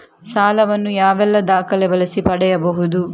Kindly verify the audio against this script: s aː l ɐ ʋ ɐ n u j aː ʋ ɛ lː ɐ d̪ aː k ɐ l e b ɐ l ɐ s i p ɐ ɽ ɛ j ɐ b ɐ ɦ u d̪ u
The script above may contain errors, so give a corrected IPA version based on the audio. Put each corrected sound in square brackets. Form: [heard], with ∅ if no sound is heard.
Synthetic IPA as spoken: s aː l ɐ ʋ ɐ [nː] u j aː ʋ ɛ lː ɐ d̪ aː k ɐ l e b ɐ l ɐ s i p ɐ ɽ ɛ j ɐ b ɐ ɦ u d̪ u